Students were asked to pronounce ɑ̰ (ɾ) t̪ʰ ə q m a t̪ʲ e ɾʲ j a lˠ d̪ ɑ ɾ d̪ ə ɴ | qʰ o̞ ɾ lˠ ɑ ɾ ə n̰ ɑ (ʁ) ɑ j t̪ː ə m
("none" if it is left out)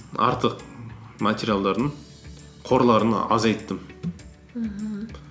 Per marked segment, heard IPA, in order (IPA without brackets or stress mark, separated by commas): ɾ, z